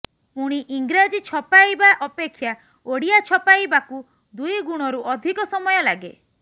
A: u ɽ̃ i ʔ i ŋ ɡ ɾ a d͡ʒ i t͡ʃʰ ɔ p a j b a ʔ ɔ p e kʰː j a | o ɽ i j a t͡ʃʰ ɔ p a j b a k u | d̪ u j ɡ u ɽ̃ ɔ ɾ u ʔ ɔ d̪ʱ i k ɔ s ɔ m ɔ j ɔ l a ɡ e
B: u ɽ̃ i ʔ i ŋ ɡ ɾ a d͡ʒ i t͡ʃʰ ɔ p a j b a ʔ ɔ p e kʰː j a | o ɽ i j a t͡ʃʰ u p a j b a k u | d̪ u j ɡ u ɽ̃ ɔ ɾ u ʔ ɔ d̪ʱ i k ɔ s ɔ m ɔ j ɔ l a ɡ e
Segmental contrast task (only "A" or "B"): A